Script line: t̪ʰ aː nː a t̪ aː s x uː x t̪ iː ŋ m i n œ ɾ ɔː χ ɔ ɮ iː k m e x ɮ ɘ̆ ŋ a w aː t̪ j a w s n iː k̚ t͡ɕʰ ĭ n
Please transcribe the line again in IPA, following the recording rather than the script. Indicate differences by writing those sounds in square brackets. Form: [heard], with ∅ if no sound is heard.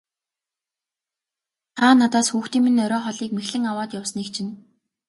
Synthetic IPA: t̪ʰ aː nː a t̪ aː s x uː x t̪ iː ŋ m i n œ ɾ ɔː χ ɔ ɮ iː k m e x ɮ ɘ̆ ŋ a w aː t̪ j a w s n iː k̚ t͡ɕʰ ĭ n